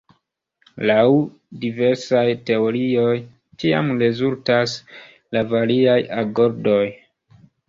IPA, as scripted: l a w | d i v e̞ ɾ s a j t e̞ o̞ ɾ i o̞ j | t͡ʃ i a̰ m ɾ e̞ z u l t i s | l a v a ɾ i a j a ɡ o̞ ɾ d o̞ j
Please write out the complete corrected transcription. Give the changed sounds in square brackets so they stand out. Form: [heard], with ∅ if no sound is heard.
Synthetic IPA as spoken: l a w | d i v e̞ ɾ s a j t e̞ o̞ ɾ i o̞ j | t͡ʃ i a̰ m ɾ e̞ z u l t [a] s | l a v a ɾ i a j a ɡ o̞ ɾ d o̞ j